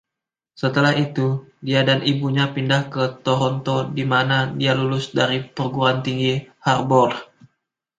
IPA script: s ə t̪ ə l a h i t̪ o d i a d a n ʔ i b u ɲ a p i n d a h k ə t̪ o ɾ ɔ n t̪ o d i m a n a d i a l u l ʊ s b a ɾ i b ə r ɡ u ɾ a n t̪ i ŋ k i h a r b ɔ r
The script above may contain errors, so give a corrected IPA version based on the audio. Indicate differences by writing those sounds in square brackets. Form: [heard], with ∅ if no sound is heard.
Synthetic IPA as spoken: s ə t̪ ə l a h i t̪ [u] d i a d a n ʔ i b u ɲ a p i n d a h k ə t̪ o ɾ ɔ n t̪ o d i m a n a d i a l u l ʊ s [d] a ɾ i [p] ə r ɡ u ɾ a n t̪ i ŋ [ɡ] i h a r b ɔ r